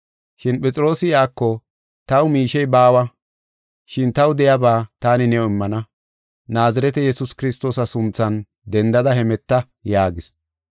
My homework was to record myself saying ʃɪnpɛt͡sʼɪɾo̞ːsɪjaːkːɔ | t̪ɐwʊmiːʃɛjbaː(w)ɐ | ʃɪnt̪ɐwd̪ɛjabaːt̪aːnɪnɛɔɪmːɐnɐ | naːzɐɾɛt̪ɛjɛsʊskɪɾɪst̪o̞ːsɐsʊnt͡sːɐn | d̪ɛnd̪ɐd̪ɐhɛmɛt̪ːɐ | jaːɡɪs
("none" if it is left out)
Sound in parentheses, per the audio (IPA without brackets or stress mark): w